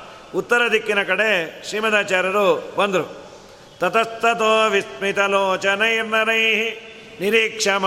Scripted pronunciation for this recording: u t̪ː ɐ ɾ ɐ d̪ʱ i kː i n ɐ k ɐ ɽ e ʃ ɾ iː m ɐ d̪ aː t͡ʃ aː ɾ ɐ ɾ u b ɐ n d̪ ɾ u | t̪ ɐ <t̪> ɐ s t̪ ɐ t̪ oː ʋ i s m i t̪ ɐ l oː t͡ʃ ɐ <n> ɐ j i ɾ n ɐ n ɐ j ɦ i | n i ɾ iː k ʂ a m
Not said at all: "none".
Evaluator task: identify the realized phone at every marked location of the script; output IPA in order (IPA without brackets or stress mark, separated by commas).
t̪, n